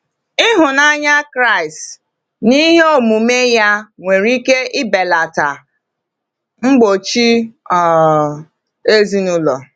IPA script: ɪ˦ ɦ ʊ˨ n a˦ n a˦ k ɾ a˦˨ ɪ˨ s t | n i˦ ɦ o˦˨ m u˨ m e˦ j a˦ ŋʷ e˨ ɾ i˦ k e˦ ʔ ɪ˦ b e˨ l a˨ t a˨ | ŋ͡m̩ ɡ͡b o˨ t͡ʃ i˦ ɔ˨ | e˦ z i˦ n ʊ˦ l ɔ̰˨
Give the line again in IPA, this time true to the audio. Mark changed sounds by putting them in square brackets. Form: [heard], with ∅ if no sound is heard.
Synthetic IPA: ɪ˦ ɦ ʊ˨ n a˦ [ɲ] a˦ k ɾ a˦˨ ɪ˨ s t | n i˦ ɦ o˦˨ m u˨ m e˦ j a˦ ŋʷ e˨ ɾ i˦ k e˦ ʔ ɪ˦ b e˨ l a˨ t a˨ | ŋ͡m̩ ɡ͡b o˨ t͡ʃ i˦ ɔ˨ | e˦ z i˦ n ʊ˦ l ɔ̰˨